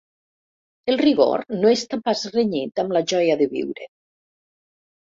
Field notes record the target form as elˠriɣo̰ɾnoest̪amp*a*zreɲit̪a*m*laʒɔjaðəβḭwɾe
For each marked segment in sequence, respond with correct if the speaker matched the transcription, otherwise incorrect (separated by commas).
correct, correct